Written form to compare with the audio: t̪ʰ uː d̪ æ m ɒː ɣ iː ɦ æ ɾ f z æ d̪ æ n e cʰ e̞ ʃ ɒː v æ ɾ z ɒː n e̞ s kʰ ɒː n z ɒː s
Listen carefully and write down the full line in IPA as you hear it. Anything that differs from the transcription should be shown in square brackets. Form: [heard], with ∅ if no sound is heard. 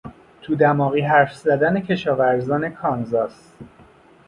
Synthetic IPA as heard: t̪ʰ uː d̪ æ m ɒː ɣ iː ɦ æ ɾ f z æ d̪ æ n e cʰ e̞ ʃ ɒː v æ ɾ z ɒː n e̞ [∅] kʰ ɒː n z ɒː s